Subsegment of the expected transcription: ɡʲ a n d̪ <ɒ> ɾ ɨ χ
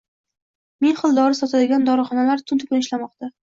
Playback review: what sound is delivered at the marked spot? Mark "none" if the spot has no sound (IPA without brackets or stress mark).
ɒ